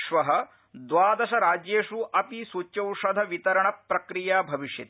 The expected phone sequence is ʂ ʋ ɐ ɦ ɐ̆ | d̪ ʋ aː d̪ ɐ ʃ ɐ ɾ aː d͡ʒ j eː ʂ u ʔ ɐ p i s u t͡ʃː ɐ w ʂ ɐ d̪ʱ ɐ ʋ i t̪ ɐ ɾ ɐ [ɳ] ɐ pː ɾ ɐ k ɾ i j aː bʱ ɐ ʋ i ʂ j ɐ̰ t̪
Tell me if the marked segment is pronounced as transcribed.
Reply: yes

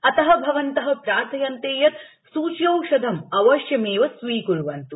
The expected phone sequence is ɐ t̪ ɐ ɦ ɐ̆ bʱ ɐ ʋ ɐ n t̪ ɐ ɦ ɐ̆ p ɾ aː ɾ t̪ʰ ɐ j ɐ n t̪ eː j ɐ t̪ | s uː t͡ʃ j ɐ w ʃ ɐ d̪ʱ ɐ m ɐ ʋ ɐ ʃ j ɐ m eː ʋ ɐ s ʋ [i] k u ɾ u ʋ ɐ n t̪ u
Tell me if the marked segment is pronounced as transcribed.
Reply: no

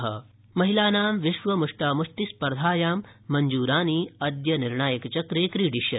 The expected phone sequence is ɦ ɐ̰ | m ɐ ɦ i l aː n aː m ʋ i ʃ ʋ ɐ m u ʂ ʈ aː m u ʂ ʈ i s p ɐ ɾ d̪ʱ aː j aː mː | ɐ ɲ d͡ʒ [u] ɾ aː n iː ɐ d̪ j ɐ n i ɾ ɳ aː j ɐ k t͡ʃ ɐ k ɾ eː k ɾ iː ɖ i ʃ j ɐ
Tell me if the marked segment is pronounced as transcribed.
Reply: no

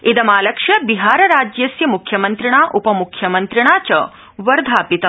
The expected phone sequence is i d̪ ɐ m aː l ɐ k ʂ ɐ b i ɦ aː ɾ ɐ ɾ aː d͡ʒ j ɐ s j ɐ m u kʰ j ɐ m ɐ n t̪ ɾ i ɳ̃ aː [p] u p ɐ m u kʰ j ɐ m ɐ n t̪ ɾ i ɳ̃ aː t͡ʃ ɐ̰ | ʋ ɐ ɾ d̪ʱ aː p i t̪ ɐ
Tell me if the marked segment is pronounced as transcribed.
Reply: no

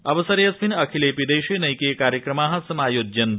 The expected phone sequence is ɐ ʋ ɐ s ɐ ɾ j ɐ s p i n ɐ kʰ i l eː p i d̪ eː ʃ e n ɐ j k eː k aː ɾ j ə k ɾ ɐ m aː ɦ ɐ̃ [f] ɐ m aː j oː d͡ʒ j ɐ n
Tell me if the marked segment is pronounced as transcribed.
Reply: no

